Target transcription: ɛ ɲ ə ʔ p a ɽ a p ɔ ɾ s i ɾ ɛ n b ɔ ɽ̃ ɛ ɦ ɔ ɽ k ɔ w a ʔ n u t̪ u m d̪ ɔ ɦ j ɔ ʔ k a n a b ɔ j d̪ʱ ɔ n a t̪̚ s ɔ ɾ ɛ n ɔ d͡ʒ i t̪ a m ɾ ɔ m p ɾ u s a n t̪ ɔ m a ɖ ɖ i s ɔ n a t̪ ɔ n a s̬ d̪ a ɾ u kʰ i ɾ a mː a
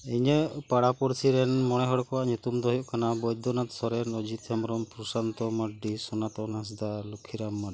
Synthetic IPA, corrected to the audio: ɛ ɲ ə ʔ p a ɽ a p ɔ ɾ s i ɾ ɛ n m ɔ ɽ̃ ɛ ɦ ɔ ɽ k ɔ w a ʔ ɲ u t̪ u m d̪ ɔ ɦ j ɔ ʔ k a n a b ɔ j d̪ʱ ɔ n a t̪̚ s ɔ ɾ ɛ n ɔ d͡ʒ i t̪ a m ɾ ɔ m p ɾ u s a n t̪ ɔ m a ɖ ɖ i s ɔ n a t̪ ɔ n a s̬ d̪ a l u kʰ i ɾ a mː a